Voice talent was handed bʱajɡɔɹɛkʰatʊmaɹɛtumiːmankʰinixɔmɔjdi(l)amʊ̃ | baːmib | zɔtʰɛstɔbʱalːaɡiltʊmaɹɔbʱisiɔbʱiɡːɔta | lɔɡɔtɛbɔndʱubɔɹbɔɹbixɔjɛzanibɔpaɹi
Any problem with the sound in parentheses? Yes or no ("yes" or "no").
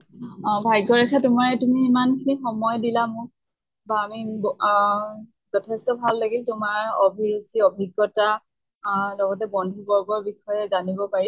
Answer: no